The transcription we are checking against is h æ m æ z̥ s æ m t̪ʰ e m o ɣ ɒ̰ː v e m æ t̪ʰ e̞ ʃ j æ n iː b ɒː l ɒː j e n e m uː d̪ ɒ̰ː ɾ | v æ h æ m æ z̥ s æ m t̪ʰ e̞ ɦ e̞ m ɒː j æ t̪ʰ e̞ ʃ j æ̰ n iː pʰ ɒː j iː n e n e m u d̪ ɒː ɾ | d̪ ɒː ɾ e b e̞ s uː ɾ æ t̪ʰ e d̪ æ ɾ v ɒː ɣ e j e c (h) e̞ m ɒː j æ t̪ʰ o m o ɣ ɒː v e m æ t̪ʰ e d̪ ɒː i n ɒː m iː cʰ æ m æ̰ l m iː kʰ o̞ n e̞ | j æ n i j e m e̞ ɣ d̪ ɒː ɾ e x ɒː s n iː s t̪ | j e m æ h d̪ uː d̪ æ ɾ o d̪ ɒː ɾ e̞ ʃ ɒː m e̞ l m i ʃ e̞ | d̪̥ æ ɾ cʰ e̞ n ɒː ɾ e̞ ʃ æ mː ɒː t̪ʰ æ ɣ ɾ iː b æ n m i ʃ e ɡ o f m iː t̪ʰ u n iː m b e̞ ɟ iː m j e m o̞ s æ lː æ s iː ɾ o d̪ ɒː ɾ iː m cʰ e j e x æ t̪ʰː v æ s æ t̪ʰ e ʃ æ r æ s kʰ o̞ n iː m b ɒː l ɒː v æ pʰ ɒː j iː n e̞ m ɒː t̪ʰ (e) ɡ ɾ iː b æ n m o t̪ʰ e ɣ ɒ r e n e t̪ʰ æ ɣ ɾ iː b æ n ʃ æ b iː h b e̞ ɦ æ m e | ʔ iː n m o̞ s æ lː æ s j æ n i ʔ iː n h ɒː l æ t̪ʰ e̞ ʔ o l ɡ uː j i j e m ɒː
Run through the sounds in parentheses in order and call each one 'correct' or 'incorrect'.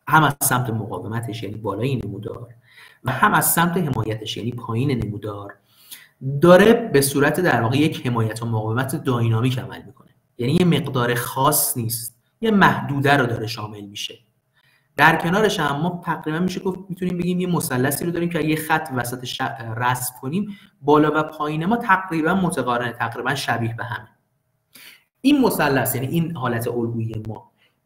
correct, incorrect: æ

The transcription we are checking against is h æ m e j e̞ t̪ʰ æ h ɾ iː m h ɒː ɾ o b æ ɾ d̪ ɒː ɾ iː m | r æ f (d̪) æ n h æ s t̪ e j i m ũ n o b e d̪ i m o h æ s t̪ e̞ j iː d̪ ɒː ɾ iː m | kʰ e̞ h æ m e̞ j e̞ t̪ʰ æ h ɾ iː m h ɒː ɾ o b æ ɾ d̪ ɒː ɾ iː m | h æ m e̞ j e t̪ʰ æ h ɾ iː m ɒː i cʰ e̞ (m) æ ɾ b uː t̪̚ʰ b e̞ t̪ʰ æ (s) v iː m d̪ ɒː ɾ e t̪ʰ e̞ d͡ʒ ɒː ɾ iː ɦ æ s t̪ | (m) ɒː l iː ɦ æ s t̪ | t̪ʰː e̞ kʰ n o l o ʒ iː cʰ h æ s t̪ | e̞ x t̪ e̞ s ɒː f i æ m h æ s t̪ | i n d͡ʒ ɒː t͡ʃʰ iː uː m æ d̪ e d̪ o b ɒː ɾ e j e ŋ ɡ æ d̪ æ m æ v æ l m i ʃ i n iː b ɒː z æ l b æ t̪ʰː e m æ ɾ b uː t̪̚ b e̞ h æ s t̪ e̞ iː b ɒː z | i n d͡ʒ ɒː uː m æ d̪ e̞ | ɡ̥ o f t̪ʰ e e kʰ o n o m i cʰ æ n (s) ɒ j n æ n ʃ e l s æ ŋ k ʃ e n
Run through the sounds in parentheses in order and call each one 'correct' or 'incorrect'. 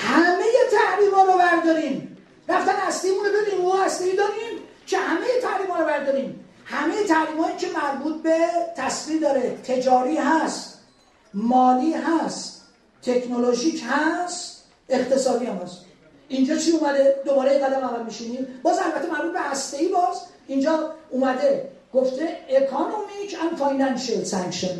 incorrect: t̪, correct, correct, correct, incorrect: f

